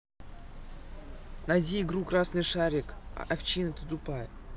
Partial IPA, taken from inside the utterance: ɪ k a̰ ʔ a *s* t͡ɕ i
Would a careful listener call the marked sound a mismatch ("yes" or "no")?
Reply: yes